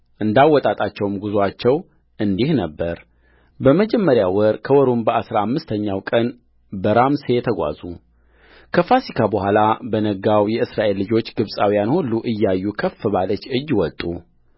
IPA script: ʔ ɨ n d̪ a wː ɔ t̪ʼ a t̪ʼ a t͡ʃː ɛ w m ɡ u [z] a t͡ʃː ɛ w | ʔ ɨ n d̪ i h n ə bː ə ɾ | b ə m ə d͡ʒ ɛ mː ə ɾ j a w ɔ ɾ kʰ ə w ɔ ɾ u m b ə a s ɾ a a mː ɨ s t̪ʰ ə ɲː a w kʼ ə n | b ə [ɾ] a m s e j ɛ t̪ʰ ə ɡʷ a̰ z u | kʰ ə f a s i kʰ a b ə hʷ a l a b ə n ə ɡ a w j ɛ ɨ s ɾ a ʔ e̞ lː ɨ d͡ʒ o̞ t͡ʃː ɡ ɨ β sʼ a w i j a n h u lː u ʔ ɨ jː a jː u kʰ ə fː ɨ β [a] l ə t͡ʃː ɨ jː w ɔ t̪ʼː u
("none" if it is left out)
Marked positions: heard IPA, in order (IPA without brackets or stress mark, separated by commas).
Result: z, ɾ, a